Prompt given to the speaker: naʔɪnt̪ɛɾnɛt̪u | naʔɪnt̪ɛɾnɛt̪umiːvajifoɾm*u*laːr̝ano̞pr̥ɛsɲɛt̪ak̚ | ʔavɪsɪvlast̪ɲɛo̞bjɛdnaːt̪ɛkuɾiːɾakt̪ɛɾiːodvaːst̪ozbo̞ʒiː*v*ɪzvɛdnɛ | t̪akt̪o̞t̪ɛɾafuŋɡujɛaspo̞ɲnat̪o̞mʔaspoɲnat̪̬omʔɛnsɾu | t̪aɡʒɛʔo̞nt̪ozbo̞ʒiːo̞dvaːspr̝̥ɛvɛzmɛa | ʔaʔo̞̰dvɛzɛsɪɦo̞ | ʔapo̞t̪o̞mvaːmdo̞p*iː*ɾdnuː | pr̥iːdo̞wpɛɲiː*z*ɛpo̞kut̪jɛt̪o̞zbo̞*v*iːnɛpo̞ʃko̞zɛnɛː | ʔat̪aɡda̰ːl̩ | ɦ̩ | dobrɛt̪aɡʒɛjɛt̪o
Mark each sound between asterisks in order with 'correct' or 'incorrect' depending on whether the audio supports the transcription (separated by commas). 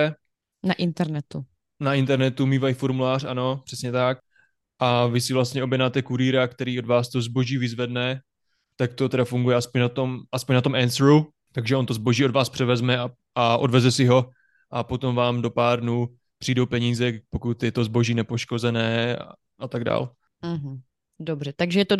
correct, correct, incorrect, correct, incorrect